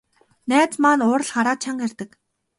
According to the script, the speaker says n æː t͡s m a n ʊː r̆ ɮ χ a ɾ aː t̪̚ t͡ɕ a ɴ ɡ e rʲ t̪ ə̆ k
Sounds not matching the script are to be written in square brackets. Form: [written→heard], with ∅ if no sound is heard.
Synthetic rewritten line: n æː t͡s m a n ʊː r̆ ɮ χ a ɾ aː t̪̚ [t͡ɕ→t͡ɕʰ] a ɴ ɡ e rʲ t̪ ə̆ k